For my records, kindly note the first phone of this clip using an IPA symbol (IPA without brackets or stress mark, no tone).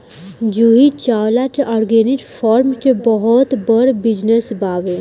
d͡ʒ